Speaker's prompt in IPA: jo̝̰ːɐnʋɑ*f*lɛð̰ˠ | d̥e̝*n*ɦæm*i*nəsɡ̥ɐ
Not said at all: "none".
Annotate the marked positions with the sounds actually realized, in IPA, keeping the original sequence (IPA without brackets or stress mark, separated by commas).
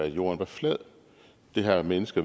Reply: f, none, e